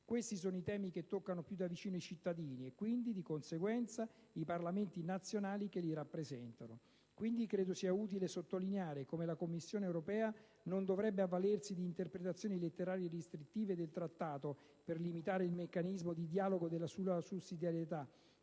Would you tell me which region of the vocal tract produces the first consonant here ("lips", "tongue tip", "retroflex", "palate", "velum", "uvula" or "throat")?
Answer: velum